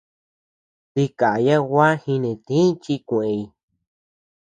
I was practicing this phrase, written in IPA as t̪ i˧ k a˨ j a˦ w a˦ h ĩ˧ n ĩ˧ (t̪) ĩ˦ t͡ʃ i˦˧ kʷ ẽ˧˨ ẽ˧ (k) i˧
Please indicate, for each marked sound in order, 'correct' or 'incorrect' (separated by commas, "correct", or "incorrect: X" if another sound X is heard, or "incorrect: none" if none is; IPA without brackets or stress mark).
correct, incorrect: none